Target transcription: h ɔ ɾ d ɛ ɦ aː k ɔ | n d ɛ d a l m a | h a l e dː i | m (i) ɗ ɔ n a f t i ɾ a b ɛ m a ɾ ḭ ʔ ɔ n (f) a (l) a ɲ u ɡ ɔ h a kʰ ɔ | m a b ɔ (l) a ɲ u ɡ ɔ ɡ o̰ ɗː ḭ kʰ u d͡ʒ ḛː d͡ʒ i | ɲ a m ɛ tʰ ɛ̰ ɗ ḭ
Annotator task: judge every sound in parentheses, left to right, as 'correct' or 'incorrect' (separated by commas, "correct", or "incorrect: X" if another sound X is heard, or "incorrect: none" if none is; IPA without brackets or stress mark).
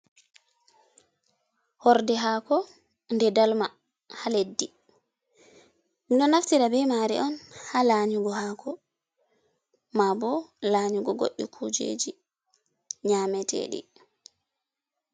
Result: correct, incorrect: h, correct, correct